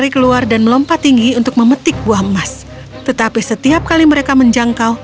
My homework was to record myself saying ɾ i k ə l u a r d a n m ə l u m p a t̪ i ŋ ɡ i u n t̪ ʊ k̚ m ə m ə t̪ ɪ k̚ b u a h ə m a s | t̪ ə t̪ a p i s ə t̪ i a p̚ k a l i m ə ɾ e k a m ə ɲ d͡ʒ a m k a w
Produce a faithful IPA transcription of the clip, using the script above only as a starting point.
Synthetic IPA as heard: ɾ i k ə l u a r d a n m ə l ɔ m p a t̪ i ŋ ɡ i u n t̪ ʊ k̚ m ə m ə t̪ ɪ k̚ b u a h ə m a s | t̪ ə t̪ a p i s ə t̪ i a p̚ k a l i m ə ɾ e k a m ə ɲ d͡ʒ a ŋ k a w